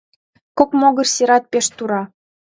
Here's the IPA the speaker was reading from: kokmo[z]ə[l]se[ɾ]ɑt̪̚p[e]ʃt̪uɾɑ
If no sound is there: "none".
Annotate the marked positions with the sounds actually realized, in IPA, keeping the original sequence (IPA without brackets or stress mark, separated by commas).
ɣ, r, ɾ, e